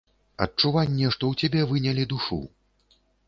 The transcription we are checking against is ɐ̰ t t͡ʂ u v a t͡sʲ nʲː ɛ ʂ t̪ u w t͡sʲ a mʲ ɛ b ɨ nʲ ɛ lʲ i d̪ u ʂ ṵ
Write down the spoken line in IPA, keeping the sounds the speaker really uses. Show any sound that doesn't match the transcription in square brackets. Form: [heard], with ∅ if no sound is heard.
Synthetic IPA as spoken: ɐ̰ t t͡ʂ u v a [∅] nʲː ɛ ʂ t̪ [ɔ] w t͡sʲ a [bʲ] ɛ [v] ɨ nʲ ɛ lʲ i d̪ u ʂ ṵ